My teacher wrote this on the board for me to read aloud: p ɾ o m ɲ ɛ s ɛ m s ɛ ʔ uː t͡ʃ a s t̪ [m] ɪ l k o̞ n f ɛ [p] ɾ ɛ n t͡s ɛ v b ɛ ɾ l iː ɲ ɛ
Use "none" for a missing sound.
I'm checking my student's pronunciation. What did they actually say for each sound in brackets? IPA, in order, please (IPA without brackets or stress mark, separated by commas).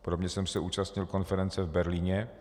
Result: ɲ, none